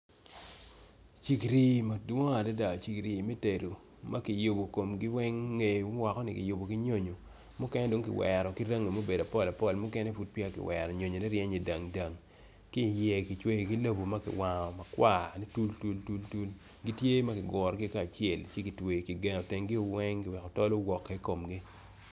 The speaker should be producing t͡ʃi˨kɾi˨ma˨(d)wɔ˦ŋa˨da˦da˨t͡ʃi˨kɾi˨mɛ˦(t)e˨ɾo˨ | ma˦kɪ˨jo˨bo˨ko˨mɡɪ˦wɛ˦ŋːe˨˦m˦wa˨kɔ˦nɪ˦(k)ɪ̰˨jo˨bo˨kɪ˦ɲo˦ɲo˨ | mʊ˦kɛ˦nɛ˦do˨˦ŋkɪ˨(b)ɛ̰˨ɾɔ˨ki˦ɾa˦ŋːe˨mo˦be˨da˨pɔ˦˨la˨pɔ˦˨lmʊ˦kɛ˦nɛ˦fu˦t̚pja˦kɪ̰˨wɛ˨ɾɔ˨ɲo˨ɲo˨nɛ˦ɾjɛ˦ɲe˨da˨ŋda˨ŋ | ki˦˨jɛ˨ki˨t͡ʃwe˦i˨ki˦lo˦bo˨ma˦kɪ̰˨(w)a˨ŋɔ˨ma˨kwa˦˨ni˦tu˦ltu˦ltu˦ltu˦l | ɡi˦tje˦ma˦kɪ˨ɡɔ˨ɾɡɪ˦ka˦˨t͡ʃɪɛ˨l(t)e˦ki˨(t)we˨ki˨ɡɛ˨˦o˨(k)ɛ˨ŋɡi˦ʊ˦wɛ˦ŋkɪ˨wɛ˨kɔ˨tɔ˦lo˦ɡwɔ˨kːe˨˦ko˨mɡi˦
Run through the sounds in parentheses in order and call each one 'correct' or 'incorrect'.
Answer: correct, correct, correct, incorrect, correct, incorrect, correct, incorrect

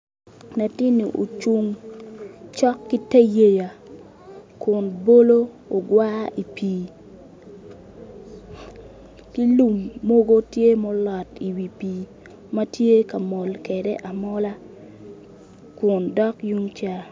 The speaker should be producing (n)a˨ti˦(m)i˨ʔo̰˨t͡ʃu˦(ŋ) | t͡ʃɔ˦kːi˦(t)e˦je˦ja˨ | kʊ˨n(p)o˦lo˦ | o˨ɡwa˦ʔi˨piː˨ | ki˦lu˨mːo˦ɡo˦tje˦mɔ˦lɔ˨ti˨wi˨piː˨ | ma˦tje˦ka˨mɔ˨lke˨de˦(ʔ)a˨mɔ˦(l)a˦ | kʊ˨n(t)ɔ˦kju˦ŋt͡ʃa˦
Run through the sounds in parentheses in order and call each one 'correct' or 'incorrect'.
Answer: correct, incorrect, correct, correct, incorrect, correct, correct, incorrect

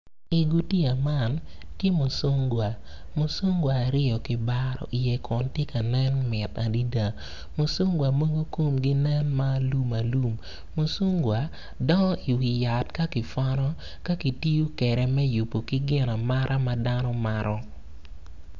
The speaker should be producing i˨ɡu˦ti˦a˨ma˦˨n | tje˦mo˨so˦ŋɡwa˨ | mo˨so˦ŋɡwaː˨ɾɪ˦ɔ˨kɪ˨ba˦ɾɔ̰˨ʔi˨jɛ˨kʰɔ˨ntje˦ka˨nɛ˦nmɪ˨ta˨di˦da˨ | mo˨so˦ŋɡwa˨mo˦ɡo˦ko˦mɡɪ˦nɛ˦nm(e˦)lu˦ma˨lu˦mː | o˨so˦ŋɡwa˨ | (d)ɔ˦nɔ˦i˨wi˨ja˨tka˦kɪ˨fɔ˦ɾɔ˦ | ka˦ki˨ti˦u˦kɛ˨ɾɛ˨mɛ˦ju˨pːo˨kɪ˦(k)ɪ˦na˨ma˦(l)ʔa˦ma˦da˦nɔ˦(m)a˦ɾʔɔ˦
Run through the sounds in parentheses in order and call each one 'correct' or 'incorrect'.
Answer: incorrect, correct, incorrect, incorrect, correct

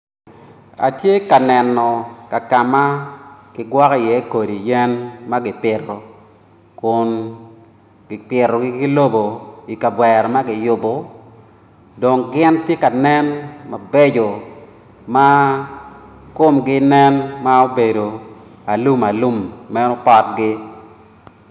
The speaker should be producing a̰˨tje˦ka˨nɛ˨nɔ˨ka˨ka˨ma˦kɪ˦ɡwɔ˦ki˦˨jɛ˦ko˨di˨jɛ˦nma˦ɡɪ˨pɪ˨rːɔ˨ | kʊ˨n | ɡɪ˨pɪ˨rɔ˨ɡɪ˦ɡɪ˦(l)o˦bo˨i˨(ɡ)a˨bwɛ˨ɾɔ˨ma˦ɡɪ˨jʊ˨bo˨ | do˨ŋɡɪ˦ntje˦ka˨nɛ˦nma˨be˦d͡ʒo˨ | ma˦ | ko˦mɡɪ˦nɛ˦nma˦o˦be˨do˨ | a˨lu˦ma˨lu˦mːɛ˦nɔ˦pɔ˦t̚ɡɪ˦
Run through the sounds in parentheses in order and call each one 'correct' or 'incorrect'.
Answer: correct, incorrect

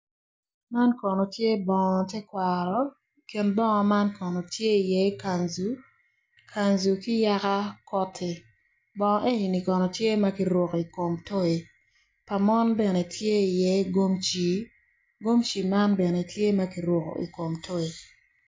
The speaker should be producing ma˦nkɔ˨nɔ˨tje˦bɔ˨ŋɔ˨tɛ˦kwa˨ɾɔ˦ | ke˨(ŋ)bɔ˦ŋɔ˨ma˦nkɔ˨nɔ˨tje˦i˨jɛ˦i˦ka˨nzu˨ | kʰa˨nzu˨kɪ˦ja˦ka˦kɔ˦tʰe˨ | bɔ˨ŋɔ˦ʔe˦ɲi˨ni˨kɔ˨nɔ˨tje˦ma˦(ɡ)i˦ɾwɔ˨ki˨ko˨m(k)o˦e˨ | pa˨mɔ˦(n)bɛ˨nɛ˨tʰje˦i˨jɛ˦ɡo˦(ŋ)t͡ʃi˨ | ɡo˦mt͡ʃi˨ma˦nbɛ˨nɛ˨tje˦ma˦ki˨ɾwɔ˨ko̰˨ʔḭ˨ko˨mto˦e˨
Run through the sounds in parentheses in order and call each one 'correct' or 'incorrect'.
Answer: incorrect, incorrect, incorrect, correct, incorrect

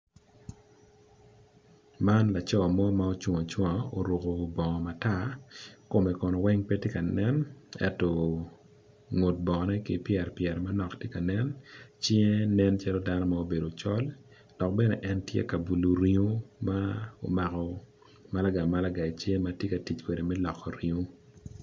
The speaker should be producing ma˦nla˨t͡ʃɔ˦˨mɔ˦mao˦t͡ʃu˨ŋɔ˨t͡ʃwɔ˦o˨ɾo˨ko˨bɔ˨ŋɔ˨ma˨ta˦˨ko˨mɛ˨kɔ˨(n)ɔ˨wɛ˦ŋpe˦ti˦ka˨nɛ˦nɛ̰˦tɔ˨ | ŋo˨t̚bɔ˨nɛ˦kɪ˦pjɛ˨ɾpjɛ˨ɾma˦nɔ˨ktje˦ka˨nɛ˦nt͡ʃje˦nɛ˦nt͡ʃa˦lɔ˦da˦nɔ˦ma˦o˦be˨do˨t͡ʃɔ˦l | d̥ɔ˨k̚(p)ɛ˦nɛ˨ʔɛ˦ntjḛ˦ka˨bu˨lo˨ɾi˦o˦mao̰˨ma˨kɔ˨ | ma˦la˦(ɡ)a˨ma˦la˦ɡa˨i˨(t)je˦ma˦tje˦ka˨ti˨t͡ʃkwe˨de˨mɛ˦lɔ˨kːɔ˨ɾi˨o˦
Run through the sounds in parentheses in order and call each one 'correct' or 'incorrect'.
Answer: correct, incorrect, correct, incorrect

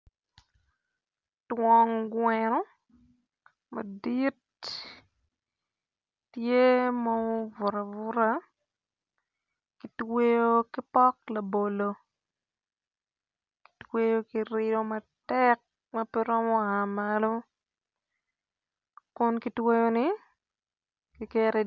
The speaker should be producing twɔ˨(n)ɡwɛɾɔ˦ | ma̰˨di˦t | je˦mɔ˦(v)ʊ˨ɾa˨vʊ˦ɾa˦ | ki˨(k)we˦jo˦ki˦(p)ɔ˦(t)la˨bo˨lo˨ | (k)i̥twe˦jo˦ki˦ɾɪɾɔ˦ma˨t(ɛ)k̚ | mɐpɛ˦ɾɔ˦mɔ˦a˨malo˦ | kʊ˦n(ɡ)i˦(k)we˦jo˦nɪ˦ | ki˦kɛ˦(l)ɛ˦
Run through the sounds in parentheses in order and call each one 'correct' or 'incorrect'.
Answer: incorrect, correct, incorrect, correct, incorrect, correct, correct, incorrect, incorrect, incorrect

